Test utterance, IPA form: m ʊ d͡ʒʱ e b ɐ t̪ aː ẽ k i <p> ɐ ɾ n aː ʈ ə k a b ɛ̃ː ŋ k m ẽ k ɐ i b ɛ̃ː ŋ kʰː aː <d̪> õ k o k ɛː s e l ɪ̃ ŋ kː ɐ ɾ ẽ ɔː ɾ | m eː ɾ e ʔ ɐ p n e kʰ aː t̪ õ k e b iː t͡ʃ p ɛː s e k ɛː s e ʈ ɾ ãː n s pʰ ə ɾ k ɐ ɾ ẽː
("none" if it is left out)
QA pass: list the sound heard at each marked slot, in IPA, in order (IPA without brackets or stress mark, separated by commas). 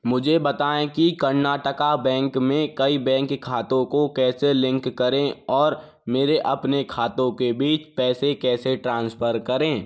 k, t̪